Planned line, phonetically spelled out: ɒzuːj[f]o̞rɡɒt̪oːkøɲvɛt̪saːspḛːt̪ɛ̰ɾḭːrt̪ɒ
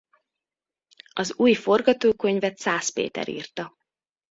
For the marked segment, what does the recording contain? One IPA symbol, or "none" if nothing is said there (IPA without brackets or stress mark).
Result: f